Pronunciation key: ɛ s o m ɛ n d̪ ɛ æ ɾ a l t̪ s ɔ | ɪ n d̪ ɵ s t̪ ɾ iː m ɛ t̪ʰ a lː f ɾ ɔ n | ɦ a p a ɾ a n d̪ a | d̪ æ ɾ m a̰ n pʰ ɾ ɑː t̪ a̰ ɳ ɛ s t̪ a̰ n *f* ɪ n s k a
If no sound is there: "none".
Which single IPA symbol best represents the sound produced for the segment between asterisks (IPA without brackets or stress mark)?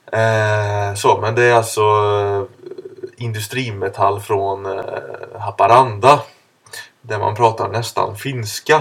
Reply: f